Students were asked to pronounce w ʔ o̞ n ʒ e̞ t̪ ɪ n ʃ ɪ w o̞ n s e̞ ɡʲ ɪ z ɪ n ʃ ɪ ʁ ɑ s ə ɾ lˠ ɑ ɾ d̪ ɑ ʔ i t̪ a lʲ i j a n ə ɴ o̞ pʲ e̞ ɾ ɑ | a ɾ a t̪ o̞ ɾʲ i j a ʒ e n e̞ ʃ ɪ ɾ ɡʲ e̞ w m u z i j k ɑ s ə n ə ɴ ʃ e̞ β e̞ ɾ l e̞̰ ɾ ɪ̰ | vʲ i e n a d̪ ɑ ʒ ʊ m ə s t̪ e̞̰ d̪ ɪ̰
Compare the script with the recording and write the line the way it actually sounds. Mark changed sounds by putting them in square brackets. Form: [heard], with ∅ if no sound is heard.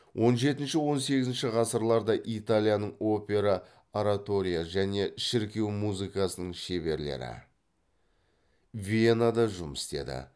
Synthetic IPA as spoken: w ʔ o̞ n ʒ e̞ t̪ ɪ n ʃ ɪ w o̞ n s e̞ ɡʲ ɪ z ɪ n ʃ ɪ ʁ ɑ s ə ɾ lˠ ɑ ɾ d̪ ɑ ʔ i t̪ a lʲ i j a n ə ɴ o̞ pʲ e̞ ɾ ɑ | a ɾ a t̪ o̞ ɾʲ i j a ʒ [æ] n e̞ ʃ ɪ ɾ [kʲ] e̞ w m u z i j k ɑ s ə n ə ɴ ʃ e̞ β e̞ ɾ l e̞̰ ɾ ɪ̰ | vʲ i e n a d̪ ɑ ʒ ʊ m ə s t̪ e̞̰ d̪ ɪ̰

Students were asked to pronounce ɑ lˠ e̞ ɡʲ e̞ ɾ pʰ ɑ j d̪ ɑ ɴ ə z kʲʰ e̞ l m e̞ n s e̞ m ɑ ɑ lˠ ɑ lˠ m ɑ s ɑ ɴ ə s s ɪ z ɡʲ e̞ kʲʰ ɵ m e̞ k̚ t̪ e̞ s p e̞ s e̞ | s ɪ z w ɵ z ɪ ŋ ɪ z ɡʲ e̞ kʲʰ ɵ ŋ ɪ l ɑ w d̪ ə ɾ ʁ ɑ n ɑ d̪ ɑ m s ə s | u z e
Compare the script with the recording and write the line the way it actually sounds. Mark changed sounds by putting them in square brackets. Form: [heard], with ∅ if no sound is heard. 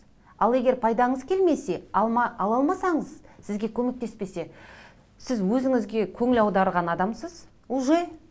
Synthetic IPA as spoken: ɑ lˠ e̞ ɡʲ e̞ ɾ pʰ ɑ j d̪ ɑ ɴ ə z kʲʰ e̞ l m e̞ [∅] s e̞ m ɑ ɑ lˠ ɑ lˠ m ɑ s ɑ ɴ ə [z] s ɪ z ɡʲ e̞ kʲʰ ɵ m e̞ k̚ t̪ e̞ s p e̞ s e̞ | s ɪ z w ɵ z ɪ ŋ ɪ z ɡʲ e̞ kʲʰ ɵ ŋ ɪ l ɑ w d̪ [ɑ] ɾ ʁ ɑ n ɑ d̪ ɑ m s ə [z] | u [ʒ] e

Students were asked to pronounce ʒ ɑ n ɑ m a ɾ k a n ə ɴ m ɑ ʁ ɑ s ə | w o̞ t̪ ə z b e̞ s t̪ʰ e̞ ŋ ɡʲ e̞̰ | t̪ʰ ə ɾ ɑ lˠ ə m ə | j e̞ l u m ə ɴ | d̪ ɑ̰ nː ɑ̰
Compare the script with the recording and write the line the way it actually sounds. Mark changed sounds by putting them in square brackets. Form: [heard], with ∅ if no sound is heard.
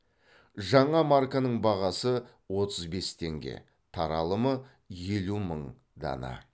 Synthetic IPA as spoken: ʒ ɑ [ɴ] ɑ m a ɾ k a n ə ɴ [b] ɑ ʁ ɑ s ə | w o̞ t̪ ə z b e̞ s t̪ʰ e̞ ŋ ɡʲ e̞̰ | t̪ʰ [ɑ] ɾ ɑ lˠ ə m ə | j e̞ l u m ə ɴ | d̪ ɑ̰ [n] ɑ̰

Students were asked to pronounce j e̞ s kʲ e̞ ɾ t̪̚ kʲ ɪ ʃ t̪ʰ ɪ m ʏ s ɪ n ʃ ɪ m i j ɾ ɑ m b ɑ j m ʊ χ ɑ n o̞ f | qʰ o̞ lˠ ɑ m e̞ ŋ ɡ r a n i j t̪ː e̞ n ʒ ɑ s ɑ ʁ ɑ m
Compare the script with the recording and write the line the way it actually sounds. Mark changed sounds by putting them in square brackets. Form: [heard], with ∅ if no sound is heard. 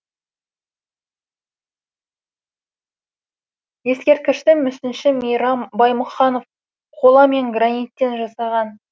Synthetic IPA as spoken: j e̞ s kʲ e̞ ɾ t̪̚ kʲ ɪ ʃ [t̪] ɪ m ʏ s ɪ n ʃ ɪ m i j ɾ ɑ m b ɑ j m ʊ χ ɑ n o̞ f | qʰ o̞ lˠ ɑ m e̞ ŋ ɡ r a n i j t̪ː e̞ n ʒ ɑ s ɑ ʁ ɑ [n]

